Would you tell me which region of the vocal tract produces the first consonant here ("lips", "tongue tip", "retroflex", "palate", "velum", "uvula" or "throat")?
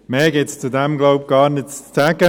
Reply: lips